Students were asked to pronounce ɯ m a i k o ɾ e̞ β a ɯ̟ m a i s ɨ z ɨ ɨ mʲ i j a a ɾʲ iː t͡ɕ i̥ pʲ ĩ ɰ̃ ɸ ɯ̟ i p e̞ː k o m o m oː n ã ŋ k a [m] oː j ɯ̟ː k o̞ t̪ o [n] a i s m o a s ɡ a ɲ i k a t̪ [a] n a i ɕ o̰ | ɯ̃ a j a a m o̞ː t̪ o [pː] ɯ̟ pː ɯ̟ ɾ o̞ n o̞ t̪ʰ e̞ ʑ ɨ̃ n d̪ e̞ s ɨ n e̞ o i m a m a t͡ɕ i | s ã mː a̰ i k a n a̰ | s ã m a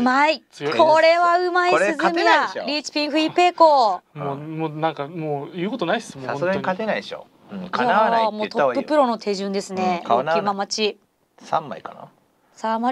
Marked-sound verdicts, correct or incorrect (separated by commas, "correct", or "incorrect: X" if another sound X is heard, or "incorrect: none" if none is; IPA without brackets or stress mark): correct, correct, incorrect: e, correct